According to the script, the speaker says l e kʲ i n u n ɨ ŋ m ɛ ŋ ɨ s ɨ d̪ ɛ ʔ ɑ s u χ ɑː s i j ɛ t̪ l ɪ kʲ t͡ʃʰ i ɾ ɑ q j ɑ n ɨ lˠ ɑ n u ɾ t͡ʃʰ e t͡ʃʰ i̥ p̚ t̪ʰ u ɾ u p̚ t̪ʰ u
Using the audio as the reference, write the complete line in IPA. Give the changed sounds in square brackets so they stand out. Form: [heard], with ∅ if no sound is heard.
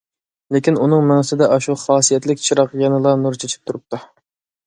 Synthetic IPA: l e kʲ i n u n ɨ ŋ m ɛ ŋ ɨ s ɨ d̪ ɛ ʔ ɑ [ʃ] u χ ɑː s i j ɛ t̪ l ɪ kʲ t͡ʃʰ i ɾ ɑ q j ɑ n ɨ lˠ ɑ n u ɾ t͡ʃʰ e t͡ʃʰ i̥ p̚ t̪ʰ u ɾ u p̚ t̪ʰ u